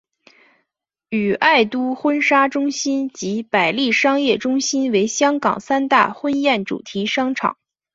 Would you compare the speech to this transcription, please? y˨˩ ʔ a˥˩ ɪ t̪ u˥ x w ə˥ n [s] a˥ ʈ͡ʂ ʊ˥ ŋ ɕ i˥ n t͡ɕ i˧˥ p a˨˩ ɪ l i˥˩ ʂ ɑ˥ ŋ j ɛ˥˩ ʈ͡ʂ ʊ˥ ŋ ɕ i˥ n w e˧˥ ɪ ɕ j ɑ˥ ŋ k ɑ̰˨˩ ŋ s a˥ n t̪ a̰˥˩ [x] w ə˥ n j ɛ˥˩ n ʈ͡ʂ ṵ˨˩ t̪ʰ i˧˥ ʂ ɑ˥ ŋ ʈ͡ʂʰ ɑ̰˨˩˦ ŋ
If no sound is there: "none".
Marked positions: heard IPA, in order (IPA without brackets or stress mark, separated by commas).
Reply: ʂ, x